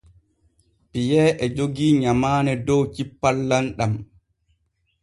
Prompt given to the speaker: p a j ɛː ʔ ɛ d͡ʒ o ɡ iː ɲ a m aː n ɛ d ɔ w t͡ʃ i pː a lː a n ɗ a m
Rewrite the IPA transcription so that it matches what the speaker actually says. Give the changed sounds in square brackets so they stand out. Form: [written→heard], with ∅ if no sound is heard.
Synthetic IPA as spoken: p [a→i] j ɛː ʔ ɛ d͡ʒ o ɡ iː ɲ a m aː n ɛ d ɔ w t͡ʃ i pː a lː a n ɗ a m